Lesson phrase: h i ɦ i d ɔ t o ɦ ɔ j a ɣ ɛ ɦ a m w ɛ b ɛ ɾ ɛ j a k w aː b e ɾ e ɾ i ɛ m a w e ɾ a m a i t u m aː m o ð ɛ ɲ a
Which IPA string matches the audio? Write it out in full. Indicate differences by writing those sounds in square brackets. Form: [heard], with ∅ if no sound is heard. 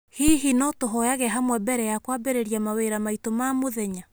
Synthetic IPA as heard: h i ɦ i [n] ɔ t o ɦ ɔ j a ɣ ɛ ɦ a m w ɛ b ɛ ɾ ɛ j a k w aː b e ɾ e ɾ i [a] m a w e ɾ a m a i t [o] m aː m o ð ɛ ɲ a